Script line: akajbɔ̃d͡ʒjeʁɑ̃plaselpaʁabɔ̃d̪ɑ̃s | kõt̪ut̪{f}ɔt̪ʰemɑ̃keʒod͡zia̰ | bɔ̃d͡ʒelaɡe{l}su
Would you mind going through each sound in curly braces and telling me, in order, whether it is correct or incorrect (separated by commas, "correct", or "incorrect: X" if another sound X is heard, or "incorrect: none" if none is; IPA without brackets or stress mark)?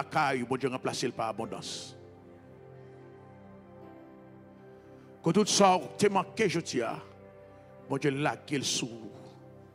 incorrect: s, correct